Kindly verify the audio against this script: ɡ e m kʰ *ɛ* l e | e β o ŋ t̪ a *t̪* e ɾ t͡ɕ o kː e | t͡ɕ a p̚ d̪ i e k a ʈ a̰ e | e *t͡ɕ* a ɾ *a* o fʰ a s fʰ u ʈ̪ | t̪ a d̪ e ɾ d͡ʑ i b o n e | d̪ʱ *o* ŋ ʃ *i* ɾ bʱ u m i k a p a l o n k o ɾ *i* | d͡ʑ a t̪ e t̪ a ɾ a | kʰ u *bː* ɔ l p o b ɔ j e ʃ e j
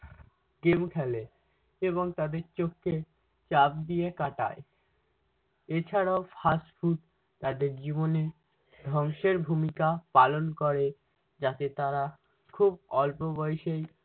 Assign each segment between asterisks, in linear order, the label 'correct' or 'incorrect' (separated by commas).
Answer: correct, incorrect, incorrect, correct, incorrect, incorrect, incorrect, incorrect